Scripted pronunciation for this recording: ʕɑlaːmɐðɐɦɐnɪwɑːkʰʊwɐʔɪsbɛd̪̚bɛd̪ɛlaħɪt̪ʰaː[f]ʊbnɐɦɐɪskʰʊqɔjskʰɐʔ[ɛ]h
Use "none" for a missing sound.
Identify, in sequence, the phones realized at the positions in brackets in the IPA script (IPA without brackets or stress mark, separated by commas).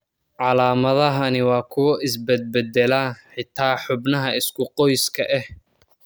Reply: ħ, ɛ